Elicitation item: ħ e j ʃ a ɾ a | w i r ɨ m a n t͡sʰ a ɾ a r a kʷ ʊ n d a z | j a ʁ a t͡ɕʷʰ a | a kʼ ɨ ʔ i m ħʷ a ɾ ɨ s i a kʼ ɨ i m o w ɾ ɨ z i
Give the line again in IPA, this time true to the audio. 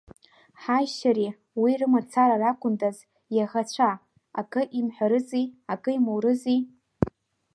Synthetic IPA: ħ a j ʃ a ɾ i | w i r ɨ m a t͡sʰ a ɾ a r a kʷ ʊ n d a z | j a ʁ a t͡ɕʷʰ a | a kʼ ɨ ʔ i m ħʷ a ɾ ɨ z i a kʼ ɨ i m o w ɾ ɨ z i